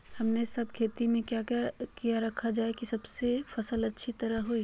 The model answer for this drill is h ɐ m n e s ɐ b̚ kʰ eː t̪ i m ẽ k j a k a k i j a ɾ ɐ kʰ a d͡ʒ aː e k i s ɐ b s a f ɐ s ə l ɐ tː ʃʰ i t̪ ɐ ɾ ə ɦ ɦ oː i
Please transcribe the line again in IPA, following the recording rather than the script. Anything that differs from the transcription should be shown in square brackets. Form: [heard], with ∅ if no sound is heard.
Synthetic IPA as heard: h ɐ m n e s ɐ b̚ kʰ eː t̪ i m ẽ k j a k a k i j a ɾ ɐ kʰ a d͡ʒ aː e k i s ɐ b s [e] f ɐ s ə l ɐ tː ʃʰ i t̪ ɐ ɾ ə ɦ ɦ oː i